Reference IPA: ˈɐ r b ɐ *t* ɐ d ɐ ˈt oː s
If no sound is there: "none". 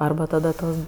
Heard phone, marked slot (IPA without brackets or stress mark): t